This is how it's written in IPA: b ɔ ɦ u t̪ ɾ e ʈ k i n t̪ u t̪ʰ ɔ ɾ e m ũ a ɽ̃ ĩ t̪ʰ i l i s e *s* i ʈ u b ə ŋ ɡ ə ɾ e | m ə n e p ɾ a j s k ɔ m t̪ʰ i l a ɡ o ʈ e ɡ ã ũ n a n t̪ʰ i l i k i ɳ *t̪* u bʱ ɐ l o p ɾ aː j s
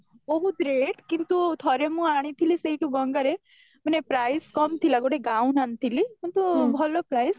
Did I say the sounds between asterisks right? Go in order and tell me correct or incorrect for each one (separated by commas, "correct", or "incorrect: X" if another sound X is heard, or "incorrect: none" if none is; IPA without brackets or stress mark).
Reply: incorrect: none, correct